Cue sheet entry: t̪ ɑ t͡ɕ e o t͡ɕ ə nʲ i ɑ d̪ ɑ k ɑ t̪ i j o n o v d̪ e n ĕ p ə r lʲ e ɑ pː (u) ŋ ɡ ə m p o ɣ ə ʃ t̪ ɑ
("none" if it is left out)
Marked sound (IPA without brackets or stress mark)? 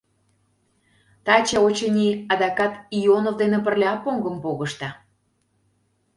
o